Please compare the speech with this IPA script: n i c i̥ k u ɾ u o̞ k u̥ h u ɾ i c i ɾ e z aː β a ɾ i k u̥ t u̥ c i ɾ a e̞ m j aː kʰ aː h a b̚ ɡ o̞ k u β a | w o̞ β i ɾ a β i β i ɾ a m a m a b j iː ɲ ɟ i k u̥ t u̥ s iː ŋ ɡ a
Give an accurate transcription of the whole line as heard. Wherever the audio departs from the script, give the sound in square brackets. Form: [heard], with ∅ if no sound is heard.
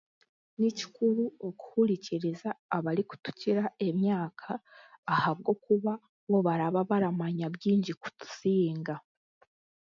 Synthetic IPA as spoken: n i c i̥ k u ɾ u o̞ k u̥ h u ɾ i c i ɾ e z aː β a ɾ i k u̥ t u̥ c i ɾ a e̞ m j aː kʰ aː h a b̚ ɡ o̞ k u β a | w o̞ β [a] ɾ a β [a] β [a] ɾ a m a [ɲ] a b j iː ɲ ɟ i k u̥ t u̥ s iː ŋ ɡ a